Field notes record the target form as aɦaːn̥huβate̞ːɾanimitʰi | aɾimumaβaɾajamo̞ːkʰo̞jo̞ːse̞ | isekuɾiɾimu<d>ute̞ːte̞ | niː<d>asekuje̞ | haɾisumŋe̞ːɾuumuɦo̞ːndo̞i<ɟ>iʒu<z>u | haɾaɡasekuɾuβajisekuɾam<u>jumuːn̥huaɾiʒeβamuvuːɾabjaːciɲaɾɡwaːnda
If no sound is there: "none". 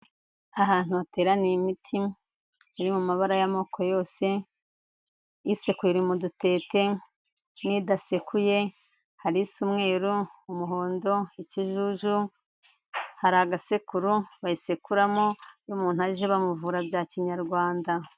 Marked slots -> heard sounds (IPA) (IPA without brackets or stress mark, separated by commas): d, d, c, ʒ, o